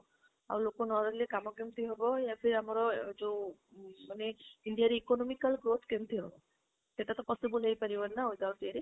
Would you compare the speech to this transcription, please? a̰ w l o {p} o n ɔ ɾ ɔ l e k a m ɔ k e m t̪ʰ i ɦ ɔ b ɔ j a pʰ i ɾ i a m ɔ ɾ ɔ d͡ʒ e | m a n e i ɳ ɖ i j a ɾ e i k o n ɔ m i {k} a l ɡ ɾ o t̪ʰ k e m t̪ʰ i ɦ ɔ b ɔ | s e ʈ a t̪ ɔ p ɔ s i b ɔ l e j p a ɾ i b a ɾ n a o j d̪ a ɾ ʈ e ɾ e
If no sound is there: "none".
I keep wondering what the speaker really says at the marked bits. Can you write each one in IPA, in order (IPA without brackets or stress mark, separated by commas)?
k, k